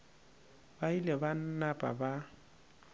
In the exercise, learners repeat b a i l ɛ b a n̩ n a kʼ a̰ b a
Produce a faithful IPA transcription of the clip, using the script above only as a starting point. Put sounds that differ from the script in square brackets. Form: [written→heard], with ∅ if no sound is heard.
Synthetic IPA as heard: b a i l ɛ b a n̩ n a [kʼ→pʼ] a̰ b a